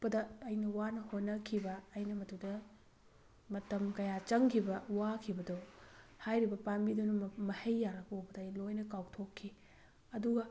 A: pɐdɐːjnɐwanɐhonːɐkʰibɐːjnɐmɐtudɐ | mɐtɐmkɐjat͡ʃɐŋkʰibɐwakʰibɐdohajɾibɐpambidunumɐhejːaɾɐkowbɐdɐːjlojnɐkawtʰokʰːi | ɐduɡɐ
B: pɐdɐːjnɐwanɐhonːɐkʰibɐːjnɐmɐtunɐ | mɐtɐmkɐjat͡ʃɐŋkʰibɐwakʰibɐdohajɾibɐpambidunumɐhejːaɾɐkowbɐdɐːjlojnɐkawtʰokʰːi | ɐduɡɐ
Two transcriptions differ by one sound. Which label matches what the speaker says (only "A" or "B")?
A